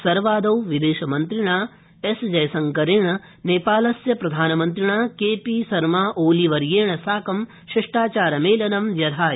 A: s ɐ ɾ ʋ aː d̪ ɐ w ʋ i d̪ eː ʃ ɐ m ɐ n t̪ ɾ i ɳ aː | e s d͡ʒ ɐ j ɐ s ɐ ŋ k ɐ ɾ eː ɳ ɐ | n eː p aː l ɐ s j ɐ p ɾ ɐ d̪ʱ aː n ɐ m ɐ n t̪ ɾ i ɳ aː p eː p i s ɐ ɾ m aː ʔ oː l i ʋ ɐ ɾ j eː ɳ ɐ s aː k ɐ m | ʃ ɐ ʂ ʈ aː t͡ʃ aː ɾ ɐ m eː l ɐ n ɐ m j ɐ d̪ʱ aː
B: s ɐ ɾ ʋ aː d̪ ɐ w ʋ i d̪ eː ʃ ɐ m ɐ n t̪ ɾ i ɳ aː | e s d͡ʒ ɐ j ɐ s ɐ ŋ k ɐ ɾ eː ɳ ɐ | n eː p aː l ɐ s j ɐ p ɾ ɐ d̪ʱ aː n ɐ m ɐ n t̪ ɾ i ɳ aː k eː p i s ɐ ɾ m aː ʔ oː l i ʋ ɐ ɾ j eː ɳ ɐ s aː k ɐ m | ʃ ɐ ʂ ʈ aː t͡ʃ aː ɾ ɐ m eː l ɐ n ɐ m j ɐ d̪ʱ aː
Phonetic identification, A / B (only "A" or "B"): B